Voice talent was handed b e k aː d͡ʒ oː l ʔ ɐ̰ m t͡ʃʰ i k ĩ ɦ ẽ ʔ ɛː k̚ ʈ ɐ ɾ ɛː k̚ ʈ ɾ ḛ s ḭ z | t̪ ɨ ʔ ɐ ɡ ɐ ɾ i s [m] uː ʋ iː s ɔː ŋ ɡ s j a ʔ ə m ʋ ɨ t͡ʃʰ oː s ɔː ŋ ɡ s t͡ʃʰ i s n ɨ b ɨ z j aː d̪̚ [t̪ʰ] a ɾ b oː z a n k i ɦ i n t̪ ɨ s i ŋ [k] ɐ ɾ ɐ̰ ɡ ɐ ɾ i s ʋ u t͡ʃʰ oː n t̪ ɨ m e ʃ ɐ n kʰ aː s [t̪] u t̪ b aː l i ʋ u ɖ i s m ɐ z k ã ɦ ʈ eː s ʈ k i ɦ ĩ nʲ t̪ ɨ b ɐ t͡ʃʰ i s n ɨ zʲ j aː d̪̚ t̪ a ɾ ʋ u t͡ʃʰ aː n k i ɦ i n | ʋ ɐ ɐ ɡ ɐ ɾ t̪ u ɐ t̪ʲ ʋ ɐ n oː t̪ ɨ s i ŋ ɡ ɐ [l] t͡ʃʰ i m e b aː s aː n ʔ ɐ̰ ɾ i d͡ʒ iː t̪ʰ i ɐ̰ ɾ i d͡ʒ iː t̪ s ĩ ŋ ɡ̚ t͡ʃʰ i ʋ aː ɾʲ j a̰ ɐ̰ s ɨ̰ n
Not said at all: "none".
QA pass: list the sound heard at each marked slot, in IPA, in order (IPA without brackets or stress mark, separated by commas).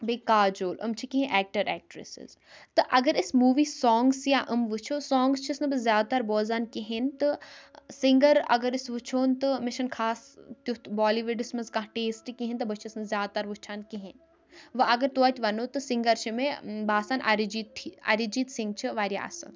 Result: m, t̪, ɡ, t̪, ɾ